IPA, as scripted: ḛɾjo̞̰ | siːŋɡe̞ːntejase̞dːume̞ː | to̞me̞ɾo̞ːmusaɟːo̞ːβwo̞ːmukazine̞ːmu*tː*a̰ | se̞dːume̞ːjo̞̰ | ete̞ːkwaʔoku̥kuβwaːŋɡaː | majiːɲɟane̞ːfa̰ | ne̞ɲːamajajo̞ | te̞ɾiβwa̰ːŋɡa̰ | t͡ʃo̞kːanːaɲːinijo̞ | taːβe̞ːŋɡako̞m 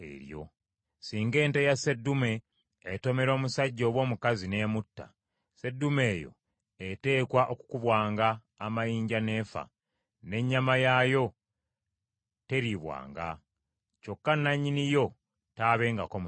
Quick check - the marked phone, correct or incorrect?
correct